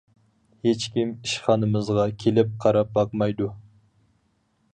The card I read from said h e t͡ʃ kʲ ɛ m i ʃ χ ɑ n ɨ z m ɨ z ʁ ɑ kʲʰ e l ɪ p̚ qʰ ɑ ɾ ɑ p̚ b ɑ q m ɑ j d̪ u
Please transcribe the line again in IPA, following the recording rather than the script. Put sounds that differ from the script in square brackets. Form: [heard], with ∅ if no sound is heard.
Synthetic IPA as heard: h e t͡ʃ kʲ [i] m i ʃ χ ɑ n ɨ [∅] m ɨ z ʁ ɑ kʲʰ e l ɪ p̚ qʰ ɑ ɾ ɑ p̚ b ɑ q m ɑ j d̪ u